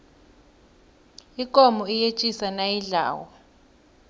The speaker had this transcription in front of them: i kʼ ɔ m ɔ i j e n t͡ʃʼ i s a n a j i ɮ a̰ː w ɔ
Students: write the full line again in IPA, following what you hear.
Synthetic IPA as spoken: i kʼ ɔ m ɔ i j e t͡ʃʼ i s a n a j i ɮ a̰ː w ɔ